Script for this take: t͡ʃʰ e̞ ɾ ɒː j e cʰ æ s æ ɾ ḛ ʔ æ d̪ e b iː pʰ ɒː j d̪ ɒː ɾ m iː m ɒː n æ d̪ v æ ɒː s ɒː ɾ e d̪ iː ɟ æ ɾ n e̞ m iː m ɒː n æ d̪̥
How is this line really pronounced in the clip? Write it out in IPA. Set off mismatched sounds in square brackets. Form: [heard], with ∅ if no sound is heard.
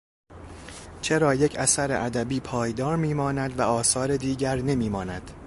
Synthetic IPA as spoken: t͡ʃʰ e̞ ɾ ɒː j e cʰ æ s æ ɾ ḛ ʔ æ d̪ [æ] b iː pʰ ɒː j d̪ ɒː ɾ m iː m ɒː n æ d̪ v æ ɒː s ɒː ɾ e d̪ iː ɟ æ ɾ n e̞ m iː m ɒː n æ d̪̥